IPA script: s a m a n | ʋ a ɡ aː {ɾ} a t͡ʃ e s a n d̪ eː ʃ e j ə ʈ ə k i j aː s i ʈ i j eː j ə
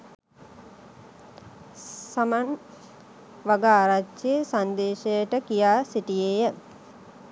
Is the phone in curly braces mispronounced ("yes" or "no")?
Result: no